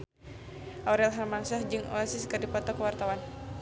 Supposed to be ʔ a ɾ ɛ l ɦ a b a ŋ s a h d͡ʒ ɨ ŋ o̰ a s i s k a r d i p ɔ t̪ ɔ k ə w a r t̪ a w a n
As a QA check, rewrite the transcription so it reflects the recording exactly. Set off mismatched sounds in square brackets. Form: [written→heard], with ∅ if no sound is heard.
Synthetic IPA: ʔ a ɾ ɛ l ɦ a [b→m] a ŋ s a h d͡ʒ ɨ ŋ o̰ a s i s k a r d i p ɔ t̪ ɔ k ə w a r t̪ a w a n